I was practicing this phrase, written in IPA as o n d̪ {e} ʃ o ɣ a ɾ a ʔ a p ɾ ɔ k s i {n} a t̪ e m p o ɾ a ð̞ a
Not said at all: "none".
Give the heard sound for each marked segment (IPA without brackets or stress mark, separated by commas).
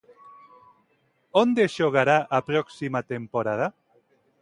e, m